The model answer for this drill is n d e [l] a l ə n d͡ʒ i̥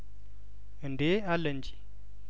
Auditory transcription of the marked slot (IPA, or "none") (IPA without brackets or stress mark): none